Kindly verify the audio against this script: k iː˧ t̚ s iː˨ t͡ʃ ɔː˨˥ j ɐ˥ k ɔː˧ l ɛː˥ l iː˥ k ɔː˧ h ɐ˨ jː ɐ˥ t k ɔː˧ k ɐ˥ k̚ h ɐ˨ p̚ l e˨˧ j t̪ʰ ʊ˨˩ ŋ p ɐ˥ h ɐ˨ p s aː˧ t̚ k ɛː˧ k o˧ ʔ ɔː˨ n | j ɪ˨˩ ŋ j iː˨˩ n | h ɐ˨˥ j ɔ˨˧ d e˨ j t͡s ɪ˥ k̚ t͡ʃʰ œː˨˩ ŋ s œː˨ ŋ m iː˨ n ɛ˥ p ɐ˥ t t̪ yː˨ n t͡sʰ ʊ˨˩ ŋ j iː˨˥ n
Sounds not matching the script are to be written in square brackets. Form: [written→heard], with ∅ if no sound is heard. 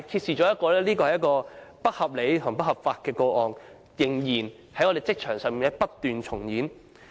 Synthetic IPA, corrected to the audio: [k→kʰ] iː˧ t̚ s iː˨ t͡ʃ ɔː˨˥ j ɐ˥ k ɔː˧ l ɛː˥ l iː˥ k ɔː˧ h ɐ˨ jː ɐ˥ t k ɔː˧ [k→p] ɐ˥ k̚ h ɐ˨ p̚ l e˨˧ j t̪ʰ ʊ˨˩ ŋ p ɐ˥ h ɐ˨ p [s→f] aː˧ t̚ k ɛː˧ k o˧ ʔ ɔː˨ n | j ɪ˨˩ ŋ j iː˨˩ n | h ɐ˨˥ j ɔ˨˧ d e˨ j t͡s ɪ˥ k̚ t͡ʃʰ œː˨˩ ŋ s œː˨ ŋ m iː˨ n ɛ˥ p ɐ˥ t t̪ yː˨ n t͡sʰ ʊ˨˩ ŋ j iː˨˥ n